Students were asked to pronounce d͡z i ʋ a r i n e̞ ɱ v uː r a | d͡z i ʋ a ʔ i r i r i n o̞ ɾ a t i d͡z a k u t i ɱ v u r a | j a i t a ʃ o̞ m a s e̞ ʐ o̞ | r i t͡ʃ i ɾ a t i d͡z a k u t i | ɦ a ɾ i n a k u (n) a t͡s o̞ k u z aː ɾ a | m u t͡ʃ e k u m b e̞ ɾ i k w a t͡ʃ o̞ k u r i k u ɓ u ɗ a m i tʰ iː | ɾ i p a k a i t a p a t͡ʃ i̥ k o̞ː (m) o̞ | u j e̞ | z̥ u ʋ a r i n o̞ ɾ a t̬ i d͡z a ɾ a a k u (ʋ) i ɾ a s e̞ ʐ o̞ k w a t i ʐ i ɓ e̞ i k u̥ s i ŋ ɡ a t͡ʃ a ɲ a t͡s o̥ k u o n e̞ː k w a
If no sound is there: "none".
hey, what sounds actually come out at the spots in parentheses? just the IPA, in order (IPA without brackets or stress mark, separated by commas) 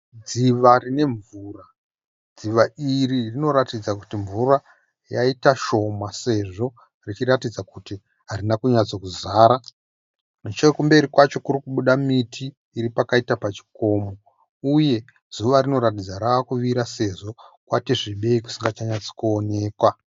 ɲ, m, ʋ